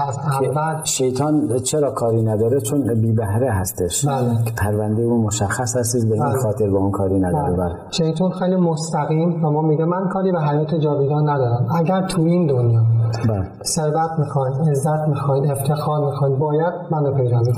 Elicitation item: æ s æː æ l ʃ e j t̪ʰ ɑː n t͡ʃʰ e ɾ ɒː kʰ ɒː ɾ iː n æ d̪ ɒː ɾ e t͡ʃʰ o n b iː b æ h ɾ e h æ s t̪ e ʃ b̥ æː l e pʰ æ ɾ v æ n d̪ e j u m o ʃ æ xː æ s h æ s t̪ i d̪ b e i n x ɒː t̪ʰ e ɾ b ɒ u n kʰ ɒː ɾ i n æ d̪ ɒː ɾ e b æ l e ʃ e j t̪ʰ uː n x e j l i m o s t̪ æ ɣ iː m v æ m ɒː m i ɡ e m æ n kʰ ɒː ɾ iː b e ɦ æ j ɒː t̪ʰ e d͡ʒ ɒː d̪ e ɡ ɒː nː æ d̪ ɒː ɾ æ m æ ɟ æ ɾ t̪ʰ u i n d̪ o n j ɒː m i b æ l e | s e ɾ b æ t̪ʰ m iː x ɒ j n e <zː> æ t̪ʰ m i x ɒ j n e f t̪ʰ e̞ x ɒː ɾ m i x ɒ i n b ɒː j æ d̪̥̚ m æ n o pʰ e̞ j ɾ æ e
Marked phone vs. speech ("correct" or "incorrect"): correct